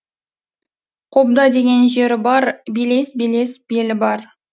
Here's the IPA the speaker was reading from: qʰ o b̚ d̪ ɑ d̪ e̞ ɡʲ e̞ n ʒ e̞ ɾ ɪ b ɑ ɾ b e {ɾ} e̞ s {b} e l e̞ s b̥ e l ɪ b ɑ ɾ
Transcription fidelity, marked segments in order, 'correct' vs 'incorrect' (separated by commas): incorrect, correct